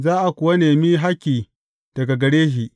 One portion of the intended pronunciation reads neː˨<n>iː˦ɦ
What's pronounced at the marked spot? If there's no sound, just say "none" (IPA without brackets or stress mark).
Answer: m